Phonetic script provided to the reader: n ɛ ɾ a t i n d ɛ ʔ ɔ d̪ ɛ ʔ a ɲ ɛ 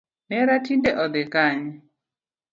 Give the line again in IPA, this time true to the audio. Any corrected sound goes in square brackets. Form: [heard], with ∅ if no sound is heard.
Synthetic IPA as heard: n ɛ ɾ a t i n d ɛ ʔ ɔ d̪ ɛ [k] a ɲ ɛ